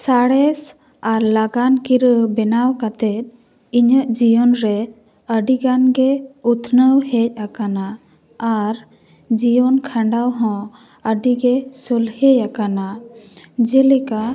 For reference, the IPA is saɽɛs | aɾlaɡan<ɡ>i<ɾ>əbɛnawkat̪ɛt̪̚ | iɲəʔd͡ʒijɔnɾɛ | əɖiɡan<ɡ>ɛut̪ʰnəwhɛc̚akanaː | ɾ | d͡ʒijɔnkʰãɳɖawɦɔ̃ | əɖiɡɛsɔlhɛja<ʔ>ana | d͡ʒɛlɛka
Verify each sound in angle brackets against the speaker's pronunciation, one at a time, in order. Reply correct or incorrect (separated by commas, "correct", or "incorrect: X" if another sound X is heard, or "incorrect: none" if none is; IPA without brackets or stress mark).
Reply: incorrect: k, correct, correct, incorrect: k